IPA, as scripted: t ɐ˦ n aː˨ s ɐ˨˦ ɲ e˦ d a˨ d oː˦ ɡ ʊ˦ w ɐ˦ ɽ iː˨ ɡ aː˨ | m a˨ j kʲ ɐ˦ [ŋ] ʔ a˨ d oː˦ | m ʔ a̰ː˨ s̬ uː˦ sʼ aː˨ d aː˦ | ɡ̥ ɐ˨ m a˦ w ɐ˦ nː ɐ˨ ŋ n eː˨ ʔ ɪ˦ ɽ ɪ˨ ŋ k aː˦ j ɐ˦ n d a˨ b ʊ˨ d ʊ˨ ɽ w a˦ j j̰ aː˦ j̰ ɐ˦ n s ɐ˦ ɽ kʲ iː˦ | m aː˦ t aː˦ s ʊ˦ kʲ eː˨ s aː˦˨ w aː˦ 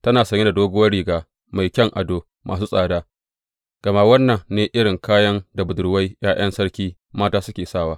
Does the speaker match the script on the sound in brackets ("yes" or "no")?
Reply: yes